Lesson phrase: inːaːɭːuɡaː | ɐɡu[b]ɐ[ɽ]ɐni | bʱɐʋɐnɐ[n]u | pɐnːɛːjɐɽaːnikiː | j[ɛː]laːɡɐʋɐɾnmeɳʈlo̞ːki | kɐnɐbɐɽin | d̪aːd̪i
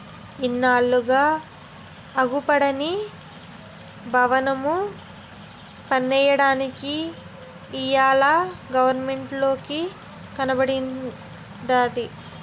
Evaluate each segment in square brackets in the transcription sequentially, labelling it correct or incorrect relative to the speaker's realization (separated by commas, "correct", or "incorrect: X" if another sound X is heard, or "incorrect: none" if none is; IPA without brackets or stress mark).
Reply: incorrect: p, correct, incorrect: m, incorrect: aː